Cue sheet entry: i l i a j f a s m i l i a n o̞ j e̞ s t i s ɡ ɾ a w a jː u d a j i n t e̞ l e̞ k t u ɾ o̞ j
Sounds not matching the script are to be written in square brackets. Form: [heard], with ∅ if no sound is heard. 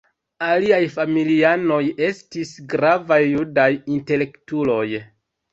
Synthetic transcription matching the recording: [a] l i a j f a [∅] m i l i a n o̞ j e̞ s t i s ɡ ɾ a [v] a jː u d a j i n t e̞ l e̞ k t u [l] o̞ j